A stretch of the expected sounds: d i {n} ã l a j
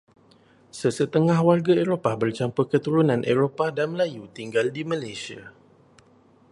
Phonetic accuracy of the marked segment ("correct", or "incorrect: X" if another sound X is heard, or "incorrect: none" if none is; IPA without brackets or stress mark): incorrect: m